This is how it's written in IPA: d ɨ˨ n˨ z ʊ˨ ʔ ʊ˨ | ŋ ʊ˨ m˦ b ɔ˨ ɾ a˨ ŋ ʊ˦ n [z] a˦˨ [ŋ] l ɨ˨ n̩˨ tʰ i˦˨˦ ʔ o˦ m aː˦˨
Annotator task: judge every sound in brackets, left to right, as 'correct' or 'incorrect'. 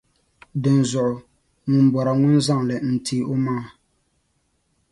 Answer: correct, correct

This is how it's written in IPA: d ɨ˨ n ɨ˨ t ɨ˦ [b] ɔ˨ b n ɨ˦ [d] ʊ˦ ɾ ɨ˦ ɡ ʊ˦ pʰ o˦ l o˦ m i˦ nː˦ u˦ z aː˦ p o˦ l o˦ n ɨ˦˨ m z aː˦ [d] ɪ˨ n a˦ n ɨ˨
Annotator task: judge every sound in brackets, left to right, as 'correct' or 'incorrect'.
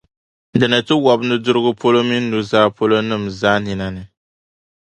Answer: incorrect, correct, incorrect

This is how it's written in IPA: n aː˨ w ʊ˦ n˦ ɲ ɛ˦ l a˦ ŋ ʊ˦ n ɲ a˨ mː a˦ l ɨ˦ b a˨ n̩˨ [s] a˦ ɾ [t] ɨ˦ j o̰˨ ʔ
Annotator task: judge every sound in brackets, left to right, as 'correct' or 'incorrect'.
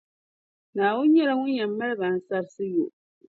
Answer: correct, incorrect

